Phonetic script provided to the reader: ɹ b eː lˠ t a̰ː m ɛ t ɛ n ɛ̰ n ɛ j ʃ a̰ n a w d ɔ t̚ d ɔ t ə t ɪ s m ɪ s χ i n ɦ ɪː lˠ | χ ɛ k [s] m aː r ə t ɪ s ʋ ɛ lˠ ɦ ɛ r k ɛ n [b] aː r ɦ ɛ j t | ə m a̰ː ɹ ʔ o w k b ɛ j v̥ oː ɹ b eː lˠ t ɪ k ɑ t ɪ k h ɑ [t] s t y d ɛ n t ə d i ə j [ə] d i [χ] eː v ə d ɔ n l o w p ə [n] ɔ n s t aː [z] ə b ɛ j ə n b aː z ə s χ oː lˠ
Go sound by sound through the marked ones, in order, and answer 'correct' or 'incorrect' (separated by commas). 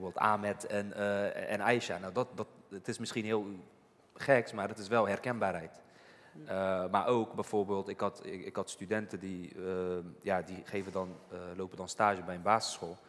correct, correct, correct, incorrect, correct, incorrect, incorrect